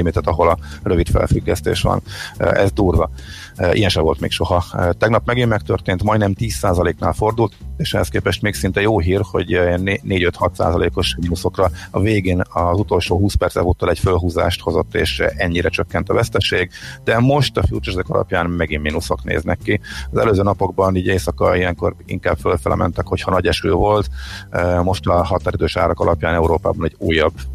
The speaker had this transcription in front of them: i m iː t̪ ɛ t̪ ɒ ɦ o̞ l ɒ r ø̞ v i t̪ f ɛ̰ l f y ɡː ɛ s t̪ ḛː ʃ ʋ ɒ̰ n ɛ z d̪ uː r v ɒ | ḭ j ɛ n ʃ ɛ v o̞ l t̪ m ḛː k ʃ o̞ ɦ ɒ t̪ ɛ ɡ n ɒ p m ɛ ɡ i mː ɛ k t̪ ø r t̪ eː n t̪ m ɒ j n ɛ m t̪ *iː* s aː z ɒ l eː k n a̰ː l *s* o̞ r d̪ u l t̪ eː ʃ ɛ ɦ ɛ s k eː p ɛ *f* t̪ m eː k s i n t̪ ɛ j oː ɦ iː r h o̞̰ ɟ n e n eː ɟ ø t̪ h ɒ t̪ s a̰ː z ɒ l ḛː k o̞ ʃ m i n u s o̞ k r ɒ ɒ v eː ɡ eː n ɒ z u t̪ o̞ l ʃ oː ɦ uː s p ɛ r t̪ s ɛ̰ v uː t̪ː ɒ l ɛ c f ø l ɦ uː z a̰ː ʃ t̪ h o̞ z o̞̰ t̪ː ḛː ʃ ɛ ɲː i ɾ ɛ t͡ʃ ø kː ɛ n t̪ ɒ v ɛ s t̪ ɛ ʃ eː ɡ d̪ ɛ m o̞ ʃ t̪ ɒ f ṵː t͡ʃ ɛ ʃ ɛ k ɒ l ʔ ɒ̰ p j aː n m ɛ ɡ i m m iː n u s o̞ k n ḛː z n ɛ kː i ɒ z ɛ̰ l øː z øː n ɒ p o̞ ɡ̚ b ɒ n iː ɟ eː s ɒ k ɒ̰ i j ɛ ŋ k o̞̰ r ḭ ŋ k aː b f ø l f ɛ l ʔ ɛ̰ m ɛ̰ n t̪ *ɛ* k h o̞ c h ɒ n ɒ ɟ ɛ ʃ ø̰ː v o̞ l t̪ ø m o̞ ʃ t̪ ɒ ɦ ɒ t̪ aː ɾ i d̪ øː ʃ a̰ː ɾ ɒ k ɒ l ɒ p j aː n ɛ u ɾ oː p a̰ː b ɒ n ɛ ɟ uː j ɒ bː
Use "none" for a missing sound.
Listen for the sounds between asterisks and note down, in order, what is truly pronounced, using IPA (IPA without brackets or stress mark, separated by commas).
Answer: iː, f, ʃ, ɛ